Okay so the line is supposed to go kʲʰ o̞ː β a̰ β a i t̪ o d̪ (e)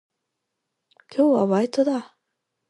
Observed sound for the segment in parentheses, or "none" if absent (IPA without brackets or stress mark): a